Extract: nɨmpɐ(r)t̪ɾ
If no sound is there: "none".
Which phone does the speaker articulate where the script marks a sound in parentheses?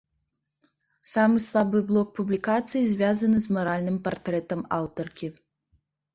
r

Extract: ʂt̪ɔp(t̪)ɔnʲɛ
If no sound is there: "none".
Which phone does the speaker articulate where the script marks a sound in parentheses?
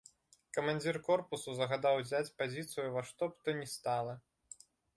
t̪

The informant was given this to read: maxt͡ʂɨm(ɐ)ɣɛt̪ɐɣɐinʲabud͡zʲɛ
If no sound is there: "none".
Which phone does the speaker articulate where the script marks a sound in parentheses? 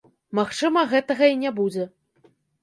ɐ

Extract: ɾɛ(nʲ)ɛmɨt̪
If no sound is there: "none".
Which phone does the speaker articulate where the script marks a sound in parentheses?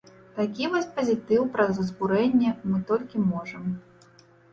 nʲː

